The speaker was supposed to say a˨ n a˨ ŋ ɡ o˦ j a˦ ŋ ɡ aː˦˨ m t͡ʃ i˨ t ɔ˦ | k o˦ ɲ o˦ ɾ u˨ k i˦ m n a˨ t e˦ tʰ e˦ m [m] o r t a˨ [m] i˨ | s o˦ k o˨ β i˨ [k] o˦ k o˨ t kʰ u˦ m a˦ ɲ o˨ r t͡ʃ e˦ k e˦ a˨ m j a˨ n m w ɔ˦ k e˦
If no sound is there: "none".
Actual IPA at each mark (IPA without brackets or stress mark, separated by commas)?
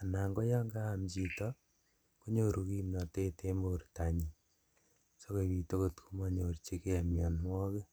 b, ɲ, t